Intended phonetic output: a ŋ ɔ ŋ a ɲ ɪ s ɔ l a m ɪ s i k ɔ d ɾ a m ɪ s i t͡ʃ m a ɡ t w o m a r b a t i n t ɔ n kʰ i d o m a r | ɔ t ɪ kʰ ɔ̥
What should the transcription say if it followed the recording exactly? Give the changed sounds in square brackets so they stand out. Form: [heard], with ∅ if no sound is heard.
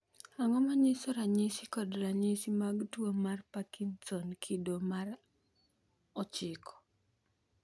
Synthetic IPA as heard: a ŋ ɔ [m] a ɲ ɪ s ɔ [ɾ] a [ɲ] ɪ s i k ɔ d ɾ a [ɲ] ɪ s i [∅] m a ɡ t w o m a r [p] a [k] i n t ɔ n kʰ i d o m a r | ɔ [t͡ʃ] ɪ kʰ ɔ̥